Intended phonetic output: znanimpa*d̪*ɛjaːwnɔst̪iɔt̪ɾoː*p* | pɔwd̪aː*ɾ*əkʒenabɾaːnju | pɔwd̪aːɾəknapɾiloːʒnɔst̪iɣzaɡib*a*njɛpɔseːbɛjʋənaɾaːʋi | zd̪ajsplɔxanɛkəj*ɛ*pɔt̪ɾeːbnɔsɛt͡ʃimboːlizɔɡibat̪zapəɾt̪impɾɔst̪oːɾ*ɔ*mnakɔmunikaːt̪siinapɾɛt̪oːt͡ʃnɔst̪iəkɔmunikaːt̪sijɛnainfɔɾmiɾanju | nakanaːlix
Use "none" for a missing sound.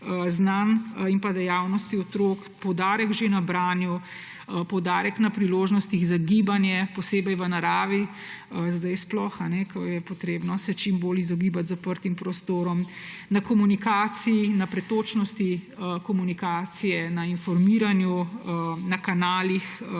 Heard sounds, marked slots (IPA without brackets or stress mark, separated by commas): d̪, k, ɾ, a, ɛ, ɔ